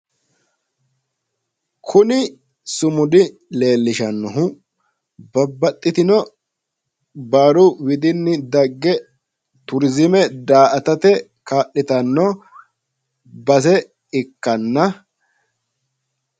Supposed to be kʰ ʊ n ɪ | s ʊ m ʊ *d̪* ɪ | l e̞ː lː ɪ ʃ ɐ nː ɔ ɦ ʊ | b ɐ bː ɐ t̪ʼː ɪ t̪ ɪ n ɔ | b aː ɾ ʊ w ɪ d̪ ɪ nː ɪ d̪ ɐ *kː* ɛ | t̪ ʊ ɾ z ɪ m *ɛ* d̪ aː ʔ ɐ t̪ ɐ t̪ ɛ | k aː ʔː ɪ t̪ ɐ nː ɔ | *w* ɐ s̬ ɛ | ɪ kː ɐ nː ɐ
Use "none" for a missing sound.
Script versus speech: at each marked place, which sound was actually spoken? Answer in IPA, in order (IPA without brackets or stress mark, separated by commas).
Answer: d̪, ɡː, ɛ, b